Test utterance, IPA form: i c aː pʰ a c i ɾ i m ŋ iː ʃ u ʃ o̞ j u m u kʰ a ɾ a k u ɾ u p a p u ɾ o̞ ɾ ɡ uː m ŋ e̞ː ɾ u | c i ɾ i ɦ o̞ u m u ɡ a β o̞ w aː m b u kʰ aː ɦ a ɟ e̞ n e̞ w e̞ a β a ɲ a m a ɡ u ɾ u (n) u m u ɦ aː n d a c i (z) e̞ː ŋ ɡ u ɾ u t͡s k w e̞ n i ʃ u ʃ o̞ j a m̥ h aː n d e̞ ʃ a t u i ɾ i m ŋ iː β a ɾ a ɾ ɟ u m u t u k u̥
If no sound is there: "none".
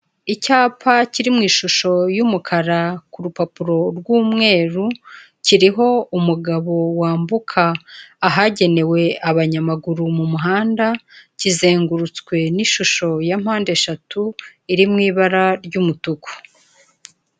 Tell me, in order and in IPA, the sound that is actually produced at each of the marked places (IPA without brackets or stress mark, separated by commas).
m, z